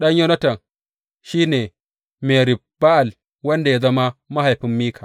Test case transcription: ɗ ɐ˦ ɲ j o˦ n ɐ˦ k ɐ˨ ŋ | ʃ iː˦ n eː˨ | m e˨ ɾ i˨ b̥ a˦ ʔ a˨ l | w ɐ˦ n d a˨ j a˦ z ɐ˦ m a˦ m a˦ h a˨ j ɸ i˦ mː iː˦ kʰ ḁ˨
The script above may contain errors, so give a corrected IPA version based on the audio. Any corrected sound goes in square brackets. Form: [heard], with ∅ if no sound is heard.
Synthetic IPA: ɗ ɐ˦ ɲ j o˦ n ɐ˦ [t] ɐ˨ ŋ | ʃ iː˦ n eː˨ | m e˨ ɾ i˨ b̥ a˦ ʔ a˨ l | w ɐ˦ n d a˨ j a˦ z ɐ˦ m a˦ m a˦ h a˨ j ɸ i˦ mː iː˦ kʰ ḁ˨